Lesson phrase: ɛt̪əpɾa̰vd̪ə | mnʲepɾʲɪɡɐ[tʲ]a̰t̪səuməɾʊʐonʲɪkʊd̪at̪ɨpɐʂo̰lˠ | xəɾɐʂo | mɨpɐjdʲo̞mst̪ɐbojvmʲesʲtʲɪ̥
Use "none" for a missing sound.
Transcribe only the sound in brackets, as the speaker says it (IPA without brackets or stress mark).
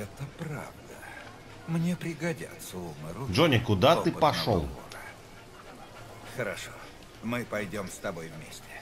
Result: dʲ